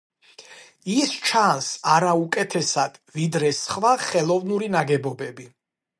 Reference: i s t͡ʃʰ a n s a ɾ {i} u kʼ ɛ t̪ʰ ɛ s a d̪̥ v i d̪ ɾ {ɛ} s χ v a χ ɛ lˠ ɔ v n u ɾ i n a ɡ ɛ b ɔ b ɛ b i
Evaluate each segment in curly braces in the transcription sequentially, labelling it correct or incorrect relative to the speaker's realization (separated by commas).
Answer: incorrect, correct